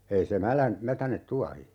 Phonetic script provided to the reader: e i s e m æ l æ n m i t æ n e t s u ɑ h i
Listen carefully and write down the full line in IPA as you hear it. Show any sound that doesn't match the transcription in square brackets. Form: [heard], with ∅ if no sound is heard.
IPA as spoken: e i s e m æ l æ n m [æ] t æ n e t [t] u ɑ h i